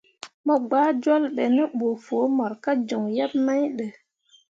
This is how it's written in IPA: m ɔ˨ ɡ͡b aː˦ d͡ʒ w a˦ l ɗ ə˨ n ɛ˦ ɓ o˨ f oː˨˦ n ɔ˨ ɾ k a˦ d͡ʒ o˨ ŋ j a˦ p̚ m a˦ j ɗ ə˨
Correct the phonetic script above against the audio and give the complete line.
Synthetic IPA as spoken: m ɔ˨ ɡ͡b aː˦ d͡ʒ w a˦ l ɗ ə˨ n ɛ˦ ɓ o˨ f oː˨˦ m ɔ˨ ɾ k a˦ d͡ʒ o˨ ŋ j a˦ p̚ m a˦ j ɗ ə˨